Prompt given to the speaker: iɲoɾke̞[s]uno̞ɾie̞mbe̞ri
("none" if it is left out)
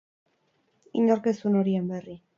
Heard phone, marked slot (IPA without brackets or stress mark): s